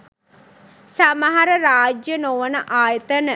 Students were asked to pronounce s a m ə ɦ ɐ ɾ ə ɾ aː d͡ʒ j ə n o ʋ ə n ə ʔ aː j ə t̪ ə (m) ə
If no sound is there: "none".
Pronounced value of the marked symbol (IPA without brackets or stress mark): n